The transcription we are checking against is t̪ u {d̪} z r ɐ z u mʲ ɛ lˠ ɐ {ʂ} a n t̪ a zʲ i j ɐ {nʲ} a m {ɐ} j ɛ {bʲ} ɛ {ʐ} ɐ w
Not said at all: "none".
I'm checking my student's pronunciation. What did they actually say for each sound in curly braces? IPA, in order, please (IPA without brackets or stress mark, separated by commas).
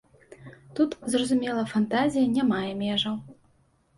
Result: t̪, f, nʲ, a, mʲ, ʐ